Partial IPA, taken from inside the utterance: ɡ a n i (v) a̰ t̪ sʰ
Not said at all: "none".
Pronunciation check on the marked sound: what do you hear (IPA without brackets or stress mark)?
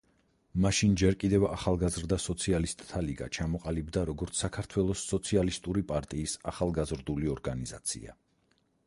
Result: z